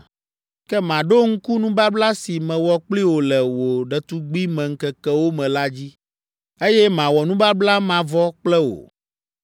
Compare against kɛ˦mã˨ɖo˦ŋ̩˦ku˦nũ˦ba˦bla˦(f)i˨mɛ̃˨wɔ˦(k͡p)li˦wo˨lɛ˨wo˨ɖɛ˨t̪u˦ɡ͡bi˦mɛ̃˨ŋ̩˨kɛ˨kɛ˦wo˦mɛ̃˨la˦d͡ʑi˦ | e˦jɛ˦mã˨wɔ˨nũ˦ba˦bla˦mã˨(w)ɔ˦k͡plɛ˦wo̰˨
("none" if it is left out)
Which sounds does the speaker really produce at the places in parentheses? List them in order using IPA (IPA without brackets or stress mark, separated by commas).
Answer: s, k͡p, v